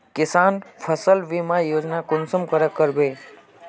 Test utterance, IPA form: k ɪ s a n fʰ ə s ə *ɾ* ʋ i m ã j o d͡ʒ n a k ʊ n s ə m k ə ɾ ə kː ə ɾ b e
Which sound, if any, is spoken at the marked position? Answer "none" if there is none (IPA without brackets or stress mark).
l